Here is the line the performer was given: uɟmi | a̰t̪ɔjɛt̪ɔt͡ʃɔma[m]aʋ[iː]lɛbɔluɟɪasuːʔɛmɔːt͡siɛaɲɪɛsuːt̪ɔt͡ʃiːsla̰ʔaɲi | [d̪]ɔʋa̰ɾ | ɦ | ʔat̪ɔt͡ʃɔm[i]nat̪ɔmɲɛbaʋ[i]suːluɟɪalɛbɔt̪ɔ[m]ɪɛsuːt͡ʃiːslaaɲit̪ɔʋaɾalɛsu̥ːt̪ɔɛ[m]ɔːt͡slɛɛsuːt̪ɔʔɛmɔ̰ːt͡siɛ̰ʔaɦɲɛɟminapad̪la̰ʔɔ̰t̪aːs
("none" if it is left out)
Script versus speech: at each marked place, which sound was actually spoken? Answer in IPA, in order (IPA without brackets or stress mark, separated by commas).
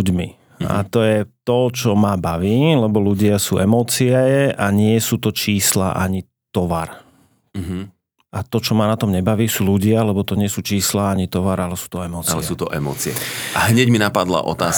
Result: b, iː, t̪, a, iː, ɲ, m